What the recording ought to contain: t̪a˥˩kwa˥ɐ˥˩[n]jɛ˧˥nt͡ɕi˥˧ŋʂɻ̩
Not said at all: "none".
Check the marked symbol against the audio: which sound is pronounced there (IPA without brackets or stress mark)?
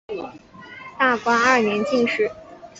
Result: n